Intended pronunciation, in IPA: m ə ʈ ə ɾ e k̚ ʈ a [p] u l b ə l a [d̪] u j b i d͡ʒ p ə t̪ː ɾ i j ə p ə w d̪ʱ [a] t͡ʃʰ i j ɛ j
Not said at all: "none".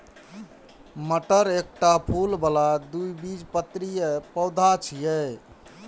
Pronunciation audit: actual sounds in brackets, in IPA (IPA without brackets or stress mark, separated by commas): pʰ, d̪, a